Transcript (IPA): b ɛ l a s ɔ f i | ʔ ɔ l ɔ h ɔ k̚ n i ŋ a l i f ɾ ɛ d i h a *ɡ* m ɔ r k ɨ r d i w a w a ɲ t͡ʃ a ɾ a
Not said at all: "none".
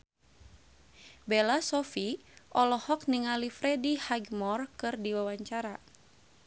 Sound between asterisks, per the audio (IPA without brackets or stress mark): ɡ